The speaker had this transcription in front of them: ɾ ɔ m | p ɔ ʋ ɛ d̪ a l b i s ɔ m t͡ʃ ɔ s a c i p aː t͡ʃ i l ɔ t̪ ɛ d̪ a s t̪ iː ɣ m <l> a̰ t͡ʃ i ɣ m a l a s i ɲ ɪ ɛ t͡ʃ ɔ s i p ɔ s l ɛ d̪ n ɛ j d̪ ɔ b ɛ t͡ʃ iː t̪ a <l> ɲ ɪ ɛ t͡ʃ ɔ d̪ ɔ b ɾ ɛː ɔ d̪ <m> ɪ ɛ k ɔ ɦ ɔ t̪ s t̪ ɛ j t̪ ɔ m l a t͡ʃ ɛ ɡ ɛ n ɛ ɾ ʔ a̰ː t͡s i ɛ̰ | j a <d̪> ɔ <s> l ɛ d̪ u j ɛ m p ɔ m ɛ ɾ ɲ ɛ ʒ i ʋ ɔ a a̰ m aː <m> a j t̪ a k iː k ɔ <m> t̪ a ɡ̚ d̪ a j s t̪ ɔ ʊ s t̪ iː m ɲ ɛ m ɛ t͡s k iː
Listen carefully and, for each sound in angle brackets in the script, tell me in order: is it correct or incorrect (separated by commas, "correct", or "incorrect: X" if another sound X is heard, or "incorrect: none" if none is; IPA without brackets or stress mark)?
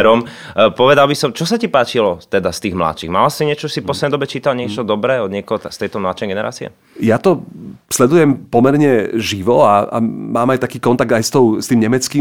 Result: correct, correct, incorrect: ɲ, incorrect: t̪, correct, correct, incorrect: n